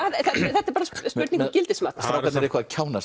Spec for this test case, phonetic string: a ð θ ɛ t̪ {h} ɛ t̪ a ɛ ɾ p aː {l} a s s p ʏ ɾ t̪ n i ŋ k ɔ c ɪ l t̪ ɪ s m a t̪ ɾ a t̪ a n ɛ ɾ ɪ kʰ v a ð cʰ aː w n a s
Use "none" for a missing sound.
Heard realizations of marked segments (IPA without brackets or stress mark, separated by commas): θ, ɾ